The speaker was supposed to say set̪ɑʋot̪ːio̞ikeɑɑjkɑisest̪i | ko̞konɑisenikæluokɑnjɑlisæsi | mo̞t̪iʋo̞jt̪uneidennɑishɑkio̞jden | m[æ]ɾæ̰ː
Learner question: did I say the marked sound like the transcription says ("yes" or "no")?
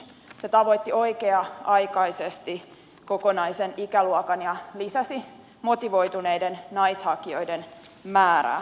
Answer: no